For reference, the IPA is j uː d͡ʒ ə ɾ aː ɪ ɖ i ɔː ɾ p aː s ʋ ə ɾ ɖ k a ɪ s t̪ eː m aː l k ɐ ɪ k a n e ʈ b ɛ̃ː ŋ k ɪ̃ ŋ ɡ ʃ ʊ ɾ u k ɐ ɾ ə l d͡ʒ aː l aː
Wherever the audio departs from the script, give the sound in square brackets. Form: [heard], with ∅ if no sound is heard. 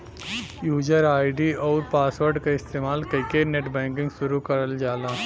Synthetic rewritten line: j uː d͡ʒ ə ɾ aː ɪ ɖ i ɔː ɾ p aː s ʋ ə ɾ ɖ k a ɪ s t̪ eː m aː l k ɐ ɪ k [e] n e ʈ b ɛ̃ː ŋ k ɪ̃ ŋ ɡ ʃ ʊ ɾ u k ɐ ɾ ə l d͡ʒ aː l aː